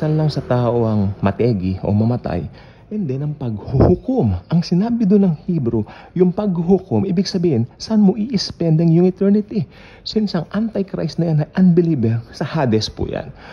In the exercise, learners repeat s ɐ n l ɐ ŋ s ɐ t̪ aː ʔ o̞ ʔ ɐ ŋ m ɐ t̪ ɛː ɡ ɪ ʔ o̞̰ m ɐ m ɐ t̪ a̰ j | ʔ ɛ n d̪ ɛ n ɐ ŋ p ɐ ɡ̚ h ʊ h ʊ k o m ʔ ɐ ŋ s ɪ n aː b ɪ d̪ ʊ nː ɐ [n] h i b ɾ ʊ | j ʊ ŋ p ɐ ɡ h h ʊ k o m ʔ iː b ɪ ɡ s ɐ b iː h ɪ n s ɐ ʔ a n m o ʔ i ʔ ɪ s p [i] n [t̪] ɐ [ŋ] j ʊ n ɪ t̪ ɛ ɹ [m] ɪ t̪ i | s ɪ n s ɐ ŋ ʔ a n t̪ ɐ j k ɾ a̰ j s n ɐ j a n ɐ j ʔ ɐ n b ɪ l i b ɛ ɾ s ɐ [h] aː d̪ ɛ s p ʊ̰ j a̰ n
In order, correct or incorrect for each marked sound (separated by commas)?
incorrect, incorrect, incorrect, correct, incorrect, correct